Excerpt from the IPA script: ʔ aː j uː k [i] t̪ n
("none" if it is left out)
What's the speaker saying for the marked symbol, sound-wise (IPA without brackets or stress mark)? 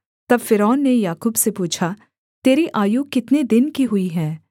ɪ